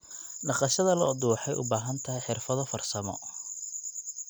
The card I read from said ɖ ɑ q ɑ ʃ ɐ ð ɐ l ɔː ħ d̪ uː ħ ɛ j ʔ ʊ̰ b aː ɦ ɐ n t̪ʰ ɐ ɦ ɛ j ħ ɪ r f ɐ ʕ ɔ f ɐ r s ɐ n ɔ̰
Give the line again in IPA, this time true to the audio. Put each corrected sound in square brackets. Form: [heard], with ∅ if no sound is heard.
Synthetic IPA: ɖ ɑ q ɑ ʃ ɐ ð ɐ l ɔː [∅] d̪ uː ħ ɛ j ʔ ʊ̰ b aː ɦ ɐ n t̪ʰ ɐ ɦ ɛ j ħ ɪ r f ɐ [ð] ɔ f ɐ r s ɐ [m] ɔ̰